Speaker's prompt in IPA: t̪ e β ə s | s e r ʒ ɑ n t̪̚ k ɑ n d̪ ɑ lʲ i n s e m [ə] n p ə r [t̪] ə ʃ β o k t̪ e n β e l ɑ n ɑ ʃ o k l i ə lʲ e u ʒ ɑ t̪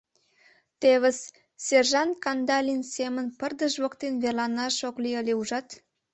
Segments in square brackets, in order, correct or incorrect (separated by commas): correct, incorrect